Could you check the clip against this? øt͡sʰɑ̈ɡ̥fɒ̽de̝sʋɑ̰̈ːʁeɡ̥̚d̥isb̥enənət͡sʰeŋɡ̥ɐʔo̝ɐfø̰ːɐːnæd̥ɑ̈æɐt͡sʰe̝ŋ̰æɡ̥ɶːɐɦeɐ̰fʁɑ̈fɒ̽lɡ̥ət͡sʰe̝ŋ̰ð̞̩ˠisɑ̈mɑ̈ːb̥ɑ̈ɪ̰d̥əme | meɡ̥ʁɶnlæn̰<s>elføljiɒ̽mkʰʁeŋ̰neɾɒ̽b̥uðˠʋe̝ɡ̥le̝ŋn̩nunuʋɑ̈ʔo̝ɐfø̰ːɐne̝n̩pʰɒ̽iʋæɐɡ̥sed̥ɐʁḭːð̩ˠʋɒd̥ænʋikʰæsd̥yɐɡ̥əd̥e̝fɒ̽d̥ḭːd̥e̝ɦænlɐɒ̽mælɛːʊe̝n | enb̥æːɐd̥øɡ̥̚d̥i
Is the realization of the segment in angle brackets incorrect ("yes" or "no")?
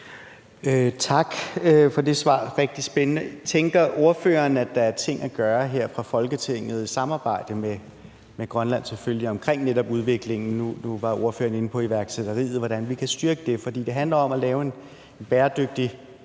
no